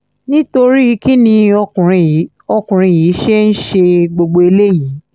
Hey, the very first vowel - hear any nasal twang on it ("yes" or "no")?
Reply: yes